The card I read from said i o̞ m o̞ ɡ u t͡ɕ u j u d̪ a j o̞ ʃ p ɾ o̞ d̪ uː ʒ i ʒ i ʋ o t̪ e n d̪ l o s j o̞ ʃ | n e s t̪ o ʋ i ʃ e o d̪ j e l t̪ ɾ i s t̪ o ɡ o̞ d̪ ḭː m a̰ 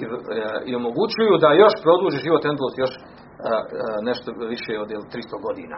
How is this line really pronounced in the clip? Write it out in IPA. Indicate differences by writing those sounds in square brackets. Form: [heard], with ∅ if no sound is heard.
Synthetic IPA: i o̞ m o̞ ɡ u t͡ɕ u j u d̪ a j o̞ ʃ p ɾ o̞ d̪ uː ʒ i ʒ i ʋ o t̪ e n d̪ l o s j o̞ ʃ | n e [ʃ] t̪ o ʋ i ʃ e o d̪ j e l t̪ ɾ i s t̪ o ɡ o̞ d̪ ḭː [n] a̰